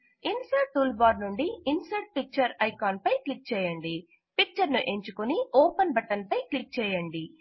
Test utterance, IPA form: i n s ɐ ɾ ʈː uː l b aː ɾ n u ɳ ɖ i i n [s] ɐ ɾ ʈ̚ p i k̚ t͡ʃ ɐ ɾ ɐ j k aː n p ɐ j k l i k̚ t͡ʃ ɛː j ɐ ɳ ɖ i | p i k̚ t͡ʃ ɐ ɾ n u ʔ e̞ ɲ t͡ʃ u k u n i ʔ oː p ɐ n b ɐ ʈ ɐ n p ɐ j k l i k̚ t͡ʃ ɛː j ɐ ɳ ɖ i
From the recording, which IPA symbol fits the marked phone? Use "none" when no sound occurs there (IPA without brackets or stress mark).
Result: s